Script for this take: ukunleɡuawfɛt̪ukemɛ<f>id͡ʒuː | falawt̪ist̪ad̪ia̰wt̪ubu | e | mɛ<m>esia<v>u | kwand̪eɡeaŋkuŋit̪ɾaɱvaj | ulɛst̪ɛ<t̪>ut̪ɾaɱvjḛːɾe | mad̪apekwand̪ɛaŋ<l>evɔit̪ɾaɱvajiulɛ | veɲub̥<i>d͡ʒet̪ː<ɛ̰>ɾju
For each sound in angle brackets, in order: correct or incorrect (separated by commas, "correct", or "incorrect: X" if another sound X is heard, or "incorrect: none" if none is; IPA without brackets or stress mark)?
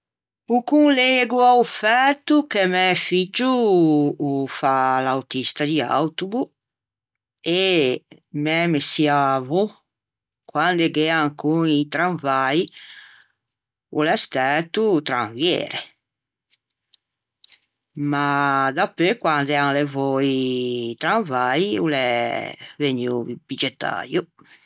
correct, correct, correct, correct, correct, correct, incorrect: a̰